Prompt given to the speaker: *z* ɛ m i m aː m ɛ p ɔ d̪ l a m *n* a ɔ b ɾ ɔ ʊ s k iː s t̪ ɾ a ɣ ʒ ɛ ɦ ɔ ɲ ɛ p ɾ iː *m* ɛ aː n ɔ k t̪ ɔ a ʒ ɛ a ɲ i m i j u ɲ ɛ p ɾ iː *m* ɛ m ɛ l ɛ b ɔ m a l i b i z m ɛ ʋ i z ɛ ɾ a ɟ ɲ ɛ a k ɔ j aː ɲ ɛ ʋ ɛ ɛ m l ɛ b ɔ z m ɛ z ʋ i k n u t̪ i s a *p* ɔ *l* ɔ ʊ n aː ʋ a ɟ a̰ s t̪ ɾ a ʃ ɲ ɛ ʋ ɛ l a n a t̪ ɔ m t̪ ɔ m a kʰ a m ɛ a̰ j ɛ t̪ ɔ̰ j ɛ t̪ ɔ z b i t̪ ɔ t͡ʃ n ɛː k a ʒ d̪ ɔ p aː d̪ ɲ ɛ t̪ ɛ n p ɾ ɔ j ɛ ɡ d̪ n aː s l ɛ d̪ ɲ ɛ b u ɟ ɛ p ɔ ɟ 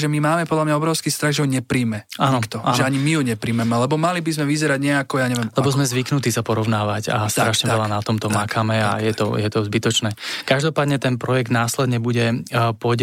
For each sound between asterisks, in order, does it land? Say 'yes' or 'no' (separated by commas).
no, no, yes, yes, yes, no